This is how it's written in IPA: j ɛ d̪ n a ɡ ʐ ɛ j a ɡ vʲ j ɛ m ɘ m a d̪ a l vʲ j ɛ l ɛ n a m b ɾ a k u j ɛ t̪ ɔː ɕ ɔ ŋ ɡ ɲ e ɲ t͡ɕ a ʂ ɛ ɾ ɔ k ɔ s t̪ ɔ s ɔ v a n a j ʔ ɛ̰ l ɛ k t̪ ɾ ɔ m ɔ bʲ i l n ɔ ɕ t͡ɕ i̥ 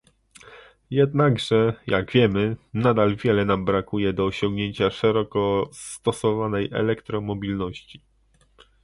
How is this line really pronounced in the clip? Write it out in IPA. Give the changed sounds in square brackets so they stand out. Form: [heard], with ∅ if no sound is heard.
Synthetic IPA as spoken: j ɛ d̪ n a ɡ ʐ ɛ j a ɡ vʲ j ɛ m ɘ [n] a d̪ a l vʲ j ɛ l ɛ n a m b ɾ a k u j ɛ [d̪] ɔː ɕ ɔ ŋ ɡ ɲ e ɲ t͡ɕ a ʂ ɛ ɾ ɔ k ɔ s t̪ ɔ s ɔ v a n [ɛ] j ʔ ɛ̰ l ɛ k t̪ ɾ ɔ m ɔ bʲ i l n ɔ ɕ t͡ɕ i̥